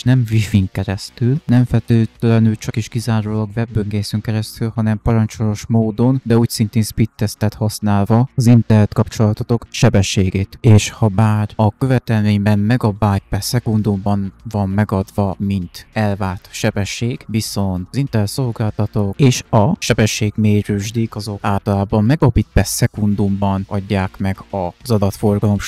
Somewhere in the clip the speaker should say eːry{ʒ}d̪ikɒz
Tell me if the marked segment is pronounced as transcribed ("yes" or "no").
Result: yes